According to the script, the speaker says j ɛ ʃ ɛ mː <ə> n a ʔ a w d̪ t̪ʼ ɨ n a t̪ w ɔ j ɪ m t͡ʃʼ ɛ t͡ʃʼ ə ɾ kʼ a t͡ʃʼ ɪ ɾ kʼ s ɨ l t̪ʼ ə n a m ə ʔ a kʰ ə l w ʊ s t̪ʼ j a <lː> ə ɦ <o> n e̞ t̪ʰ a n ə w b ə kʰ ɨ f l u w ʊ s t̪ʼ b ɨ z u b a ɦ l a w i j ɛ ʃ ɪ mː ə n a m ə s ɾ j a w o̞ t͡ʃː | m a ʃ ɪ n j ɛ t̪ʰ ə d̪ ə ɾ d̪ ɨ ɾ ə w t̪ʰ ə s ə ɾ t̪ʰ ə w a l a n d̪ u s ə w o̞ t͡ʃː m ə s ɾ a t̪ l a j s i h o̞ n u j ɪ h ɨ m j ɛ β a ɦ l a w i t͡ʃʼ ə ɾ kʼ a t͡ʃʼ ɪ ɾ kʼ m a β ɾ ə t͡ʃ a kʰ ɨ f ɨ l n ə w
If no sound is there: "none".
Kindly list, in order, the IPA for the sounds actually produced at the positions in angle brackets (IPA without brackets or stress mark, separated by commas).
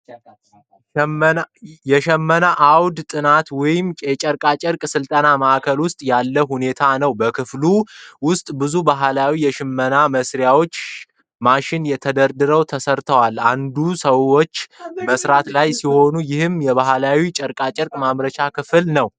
ə, lː, u